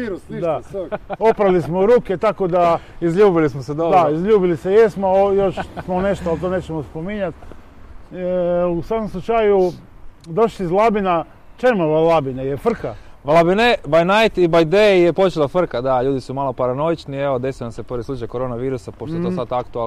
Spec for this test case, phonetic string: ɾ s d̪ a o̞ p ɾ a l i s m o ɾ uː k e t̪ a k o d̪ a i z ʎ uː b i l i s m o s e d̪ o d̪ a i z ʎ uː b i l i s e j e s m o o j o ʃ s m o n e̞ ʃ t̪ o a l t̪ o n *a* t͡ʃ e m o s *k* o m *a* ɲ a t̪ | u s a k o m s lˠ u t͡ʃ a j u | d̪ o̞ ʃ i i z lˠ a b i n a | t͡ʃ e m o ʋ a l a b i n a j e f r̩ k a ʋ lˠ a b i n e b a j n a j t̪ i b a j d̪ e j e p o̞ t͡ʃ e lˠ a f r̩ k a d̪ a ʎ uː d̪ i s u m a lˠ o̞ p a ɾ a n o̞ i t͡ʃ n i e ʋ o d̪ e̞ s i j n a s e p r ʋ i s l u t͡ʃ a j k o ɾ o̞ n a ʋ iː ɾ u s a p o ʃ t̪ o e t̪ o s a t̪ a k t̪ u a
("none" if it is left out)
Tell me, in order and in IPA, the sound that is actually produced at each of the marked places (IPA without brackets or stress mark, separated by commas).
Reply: e, p, i